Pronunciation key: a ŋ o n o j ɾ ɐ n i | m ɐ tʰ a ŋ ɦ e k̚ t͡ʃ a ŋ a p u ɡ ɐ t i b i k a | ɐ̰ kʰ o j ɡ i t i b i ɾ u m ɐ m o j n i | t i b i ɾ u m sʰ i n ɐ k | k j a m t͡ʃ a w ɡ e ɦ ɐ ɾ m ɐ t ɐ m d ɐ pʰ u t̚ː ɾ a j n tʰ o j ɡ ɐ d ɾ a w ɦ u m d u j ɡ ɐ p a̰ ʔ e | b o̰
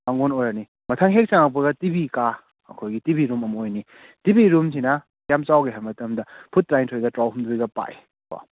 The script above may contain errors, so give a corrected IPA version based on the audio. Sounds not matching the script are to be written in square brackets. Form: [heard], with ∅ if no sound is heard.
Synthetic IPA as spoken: a ŋ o n o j ɾ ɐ n i | m ɐ tʰ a ŋ ɦ e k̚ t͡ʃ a ŋ a p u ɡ ɐ t i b i k a | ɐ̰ kʰ o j ɡ i t i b i ɾ u m ɐ m o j n i | t i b i ɾ u m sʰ i n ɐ [∅] | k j a m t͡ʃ a w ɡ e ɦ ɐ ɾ m ɐ t ɐ m d ɐ pʰ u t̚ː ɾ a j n tʰ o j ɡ ɐ [t] ɾ a w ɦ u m d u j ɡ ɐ p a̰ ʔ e | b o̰